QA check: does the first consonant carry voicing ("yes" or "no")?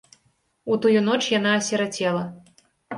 no